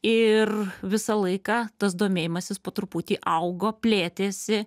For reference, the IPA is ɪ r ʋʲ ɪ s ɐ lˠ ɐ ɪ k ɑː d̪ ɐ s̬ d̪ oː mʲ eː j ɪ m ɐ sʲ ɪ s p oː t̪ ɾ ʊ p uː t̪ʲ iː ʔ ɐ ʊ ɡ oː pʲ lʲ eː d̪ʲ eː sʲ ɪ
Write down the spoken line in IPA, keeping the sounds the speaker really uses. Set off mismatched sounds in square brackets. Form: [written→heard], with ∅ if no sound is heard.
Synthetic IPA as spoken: ɪ r ʋʲ ɪ s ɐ lˠ ɐ ɪ k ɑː [d̪→t̪] ɐ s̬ d̪ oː mʲ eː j ɪ m ɐ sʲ ɪ s p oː t̪ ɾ ʊ p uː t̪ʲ iː ʔ ɐ ʊ ɡ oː pʲ lʲ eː [d̪ʲ→t̪ʲ] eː sʲ ɪ